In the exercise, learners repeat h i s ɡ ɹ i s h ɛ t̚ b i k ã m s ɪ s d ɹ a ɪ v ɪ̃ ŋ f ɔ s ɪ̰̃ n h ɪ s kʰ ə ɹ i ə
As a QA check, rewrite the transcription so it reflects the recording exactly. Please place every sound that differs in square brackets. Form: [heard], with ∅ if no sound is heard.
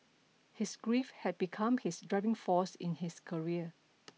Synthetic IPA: h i s ɡ ɹ i [f] h ɛ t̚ b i [kʰ] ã m [h] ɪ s d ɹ a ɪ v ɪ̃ ŋ f ɔ s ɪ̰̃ n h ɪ s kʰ ə ɹ i ə